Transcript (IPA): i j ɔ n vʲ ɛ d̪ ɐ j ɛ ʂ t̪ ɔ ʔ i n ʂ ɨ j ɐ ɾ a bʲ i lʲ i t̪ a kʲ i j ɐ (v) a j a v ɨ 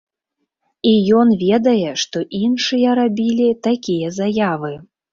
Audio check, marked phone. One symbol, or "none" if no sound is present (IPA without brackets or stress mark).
z